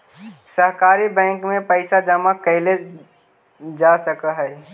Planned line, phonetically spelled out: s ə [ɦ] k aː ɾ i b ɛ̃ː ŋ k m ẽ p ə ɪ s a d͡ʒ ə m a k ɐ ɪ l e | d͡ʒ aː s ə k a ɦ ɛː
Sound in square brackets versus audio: correct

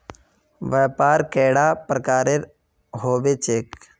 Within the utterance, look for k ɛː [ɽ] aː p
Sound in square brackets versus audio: correct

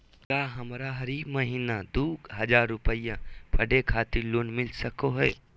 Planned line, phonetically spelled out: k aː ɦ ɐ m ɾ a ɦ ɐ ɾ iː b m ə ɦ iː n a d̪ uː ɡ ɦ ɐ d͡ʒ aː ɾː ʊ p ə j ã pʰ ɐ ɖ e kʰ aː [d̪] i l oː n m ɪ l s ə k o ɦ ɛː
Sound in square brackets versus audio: incorrect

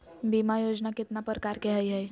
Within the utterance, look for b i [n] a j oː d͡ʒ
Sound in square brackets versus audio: incorrect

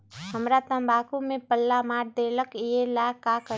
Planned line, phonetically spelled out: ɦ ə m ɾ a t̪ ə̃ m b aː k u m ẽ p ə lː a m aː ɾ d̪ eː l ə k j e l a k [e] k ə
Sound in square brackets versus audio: incorrect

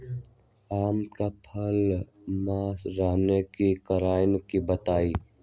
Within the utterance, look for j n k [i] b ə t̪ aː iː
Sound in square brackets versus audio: correct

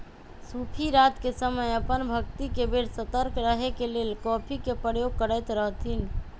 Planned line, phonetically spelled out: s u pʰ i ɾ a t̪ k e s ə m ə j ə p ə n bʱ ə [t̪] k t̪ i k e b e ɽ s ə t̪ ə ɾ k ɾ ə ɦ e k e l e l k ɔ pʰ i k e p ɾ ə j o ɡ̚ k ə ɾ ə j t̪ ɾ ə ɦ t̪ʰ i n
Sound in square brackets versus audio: incorrect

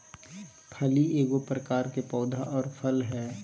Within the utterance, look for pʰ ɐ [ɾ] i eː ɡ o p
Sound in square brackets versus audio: incorrect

